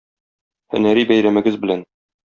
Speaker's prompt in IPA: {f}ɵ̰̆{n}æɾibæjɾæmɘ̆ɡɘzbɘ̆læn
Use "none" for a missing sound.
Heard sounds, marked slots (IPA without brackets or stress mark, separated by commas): h, n